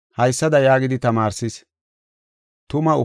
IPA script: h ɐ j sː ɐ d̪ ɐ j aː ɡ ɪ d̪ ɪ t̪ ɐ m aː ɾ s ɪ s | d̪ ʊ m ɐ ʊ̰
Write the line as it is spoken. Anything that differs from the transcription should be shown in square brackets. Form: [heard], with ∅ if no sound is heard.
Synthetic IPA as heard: h ɐ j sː ɐ d̪ ɐ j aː ɡ ɪ d̪ ɪ t̪ ɐ m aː ɾ s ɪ s | [t̪] ʊ m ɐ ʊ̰